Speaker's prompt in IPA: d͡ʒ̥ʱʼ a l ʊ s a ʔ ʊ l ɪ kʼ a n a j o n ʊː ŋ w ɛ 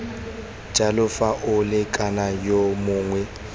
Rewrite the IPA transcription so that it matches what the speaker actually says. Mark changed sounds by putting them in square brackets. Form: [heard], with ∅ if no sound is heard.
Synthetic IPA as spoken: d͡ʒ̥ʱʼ a l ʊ [f] a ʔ ʊ l ɪ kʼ a n a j o [m] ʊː ŋ w ɛ